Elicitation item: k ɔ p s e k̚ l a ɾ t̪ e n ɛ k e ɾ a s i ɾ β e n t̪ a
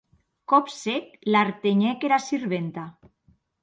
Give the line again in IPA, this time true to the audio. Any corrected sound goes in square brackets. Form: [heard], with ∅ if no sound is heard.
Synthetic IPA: k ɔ p s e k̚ l a ɾ t̪ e [ɲ] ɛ k e ɾ a s i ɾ β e n t̪ a